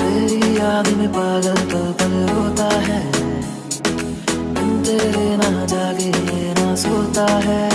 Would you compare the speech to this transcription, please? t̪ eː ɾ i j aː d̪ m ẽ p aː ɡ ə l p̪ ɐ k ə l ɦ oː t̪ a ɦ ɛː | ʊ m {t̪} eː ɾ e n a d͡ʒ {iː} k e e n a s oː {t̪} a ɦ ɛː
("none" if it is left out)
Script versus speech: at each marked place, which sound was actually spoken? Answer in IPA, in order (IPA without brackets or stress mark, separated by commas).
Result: t̪, aː, t̪